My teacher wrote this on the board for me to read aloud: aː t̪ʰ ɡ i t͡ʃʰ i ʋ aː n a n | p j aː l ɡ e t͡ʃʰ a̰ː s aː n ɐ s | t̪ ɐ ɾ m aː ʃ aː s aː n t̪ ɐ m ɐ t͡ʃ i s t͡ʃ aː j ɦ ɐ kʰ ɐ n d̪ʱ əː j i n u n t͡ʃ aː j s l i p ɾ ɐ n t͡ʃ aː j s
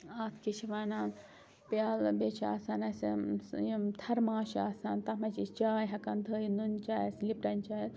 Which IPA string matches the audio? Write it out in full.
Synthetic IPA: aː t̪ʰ k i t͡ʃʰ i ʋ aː n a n | p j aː l b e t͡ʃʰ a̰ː s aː n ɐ s | t̪ʰ ɐ ɾ m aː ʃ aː s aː n t̪ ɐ m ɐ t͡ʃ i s t͡ʃ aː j ɦ ɐ k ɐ n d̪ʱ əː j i n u n t͡ʃ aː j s l i p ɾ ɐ n t͡ʃ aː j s